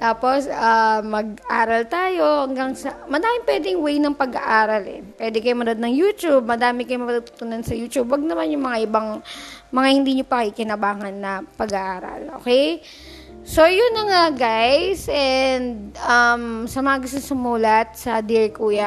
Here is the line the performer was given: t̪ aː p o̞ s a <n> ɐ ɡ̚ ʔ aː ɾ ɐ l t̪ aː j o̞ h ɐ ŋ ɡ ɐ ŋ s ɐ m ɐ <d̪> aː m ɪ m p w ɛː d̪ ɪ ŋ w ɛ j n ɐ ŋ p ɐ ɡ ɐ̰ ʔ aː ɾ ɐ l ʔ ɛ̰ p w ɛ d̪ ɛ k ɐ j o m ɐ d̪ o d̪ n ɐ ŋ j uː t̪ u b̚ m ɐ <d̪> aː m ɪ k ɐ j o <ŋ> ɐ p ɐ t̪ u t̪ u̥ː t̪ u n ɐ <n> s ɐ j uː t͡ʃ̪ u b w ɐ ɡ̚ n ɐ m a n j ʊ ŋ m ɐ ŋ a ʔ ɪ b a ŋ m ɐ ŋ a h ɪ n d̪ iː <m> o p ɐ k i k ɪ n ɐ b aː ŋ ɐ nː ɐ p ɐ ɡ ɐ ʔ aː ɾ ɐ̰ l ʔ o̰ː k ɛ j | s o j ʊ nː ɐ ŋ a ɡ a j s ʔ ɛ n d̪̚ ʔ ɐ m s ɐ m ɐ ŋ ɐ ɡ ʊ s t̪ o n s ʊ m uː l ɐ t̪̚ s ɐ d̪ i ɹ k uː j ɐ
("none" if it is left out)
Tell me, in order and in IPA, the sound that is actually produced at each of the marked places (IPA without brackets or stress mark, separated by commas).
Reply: m, d̪, d̪, m, n, ɲ